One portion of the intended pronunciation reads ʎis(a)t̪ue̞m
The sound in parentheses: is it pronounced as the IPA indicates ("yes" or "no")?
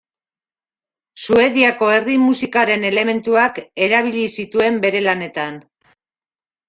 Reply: no